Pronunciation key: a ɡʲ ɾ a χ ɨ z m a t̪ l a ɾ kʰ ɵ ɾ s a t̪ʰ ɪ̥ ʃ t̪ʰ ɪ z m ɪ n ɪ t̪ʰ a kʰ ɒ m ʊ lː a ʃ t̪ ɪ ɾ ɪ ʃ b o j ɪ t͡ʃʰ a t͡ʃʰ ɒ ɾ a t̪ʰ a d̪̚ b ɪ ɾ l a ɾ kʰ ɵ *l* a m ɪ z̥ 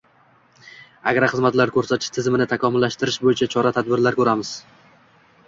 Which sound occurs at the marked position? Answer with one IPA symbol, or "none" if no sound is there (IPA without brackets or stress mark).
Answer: ɾ